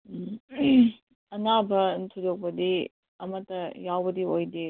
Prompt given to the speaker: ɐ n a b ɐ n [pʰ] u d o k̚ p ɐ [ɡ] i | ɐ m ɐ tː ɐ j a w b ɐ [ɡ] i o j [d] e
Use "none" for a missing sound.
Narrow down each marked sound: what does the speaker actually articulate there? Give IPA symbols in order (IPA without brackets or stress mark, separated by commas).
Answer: tʰ, d, d, d